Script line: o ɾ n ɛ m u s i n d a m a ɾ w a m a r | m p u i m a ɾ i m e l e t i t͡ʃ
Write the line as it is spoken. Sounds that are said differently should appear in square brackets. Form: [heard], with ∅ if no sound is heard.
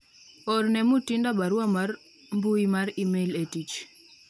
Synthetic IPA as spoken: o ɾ n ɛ m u [t] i n d a [b] a ɾ w a m a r | m [b] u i m a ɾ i m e l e t i t͡ʃ